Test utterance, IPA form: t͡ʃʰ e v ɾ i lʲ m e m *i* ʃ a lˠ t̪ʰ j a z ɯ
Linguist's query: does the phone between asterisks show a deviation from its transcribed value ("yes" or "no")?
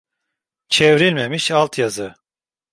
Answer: no